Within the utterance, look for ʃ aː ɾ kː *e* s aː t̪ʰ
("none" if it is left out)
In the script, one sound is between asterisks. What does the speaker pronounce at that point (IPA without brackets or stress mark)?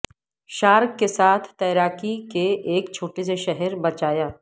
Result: e